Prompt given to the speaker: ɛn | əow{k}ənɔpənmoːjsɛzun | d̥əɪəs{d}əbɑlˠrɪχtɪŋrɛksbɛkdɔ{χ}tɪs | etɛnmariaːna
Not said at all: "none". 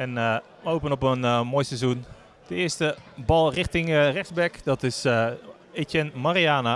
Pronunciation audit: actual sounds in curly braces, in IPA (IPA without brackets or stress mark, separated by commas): p, t, none